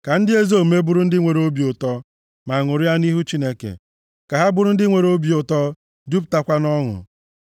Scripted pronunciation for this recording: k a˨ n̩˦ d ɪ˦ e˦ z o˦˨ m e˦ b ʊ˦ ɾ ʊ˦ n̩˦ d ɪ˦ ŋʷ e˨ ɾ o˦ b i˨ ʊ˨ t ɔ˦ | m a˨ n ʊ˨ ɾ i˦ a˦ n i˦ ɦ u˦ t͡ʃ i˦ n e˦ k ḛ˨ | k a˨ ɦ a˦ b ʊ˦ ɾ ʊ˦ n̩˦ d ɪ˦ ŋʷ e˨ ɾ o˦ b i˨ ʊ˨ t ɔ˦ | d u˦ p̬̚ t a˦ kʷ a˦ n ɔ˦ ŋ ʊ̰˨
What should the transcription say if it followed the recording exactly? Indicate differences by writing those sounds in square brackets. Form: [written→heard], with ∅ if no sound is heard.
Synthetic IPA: k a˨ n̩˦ d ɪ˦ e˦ z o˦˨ m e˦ b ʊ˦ ɾ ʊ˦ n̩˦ d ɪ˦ ŋʷ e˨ ɾ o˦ b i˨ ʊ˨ t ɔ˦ | m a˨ [n→ŋ] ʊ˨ ɾ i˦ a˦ n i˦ ɦ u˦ t͡ʃ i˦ n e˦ k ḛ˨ | k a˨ ɦ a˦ b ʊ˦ ɾ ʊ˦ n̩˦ d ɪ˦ ŋʷ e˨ ɾ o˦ b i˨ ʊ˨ t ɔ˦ | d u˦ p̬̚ t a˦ kʷ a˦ n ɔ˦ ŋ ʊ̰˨